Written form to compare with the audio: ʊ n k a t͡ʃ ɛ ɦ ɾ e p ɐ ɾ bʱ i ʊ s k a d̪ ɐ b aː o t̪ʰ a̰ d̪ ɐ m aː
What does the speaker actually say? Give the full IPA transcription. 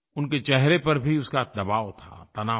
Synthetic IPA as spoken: ʊ n k e t͡ʃ ɛ ɦ ɾ e p ɐ ɾ bʱ i ʊ s k a d̪ ɐ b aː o t̪ʰ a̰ t̪ ɐ n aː